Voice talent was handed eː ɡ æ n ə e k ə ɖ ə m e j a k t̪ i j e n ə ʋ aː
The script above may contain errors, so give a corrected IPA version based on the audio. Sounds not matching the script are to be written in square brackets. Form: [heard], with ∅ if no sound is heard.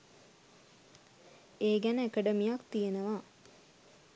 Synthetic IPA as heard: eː ɡ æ n ə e k ə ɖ ə m [i] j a k t̪ i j e n ə ʋ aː